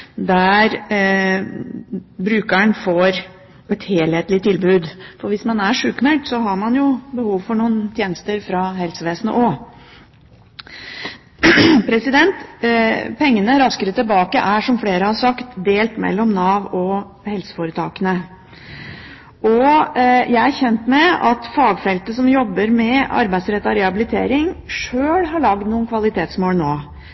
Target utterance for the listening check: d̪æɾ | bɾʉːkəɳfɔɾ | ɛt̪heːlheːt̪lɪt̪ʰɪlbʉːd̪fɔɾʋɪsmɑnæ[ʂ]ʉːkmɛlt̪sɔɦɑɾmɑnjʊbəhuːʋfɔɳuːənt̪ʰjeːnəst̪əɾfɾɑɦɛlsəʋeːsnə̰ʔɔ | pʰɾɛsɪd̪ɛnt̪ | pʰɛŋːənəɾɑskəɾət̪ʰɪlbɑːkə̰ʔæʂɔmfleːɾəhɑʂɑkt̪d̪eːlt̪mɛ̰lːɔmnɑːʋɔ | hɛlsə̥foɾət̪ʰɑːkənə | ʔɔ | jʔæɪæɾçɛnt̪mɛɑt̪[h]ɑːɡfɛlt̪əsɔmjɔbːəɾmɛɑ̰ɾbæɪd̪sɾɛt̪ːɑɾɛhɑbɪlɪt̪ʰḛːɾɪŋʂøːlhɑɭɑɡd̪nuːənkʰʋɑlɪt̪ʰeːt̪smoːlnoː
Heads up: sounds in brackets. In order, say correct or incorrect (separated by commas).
correct, incorrect